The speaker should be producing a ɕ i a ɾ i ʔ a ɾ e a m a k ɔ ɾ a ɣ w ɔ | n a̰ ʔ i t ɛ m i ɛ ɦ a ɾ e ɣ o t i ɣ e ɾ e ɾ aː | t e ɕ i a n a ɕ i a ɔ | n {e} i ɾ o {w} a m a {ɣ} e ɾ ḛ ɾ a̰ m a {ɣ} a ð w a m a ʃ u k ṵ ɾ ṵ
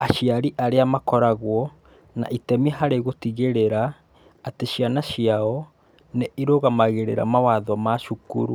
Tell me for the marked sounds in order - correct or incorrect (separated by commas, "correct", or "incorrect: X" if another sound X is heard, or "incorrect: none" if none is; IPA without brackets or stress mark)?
correct, incorrect: ɣ, correct, incorrect: w